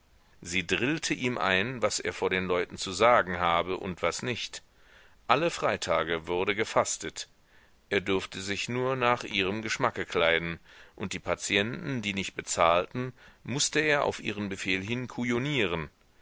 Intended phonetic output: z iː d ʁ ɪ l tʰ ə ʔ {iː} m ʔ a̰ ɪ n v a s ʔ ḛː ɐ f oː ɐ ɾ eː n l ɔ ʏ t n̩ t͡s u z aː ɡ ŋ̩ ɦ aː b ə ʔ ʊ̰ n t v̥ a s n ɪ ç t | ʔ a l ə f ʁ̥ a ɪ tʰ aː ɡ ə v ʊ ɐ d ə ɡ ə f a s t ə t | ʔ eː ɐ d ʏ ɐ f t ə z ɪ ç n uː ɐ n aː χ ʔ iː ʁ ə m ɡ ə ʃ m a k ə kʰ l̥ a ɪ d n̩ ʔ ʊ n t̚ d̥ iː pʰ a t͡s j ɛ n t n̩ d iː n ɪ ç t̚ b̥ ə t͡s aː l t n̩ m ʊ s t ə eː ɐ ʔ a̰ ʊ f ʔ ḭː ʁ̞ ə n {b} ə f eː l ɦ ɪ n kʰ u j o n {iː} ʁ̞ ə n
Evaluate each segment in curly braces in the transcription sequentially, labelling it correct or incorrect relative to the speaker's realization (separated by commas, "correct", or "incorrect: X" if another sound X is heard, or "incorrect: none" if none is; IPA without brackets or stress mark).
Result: correct, correct, correct